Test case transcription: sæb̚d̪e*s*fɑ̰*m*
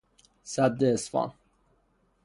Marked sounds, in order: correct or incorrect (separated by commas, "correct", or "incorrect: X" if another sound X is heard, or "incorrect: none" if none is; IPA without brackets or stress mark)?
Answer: correct, incorrect: n